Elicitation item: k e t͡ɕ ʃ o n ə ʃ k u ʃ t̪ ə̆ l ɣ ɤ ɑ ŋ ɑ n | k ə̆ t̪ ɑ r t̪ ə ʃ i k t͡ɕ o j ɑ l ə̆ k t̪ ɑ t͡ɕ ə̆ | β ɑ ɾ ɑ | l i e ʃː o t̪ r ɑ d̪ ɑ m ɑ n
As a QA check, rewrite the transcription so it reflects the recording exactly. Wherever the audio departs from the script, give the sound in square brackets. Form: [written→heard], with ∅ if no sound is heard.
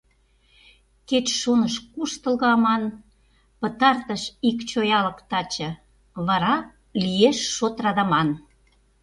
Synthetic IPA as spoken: k e t͡ɕ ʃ o n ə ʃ k u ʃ t̪ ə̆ l ɣ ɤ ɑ [ŋ→m] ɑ n | [k→p] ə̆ t̪ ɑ r t̪ ə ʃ i k t͡ɕ o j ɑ l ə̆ k t̪ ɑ t͡ɕ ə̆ | β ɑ ɾ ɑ | l i e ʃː o t̪ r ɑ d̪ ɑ m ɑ n